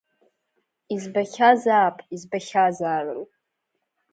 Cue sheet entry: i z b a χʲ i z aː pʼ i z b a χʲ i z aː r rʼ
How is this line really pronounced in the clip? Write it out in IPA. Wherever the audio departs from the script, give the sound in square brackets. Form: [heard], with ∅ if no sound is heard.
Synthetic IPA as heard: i z b a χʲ [a] z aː pʼ i z b a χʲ [a] z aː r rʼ